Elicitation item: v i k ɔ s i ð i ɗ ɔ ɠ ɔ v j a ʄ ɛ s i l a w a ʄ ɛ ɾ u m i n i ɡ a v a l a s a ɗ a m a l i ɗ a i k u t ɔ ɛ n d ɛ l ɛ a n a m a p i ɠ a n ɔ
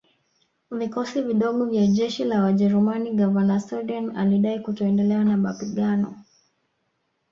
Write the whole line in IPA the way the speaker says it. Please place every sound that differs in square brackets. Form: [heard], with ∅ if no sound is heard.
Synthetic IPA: v i k ɔ s i [v] i ɗ ɔ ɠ ɔ v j a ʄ ɛ [ʃ] i l a w a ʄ ɛ ɾ u m [a] n i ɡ a v a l a s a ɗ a [n] a l i ɗ a i k u t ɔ ɛ n d ɛ l ɛ a n a m a p i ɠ a n ɔ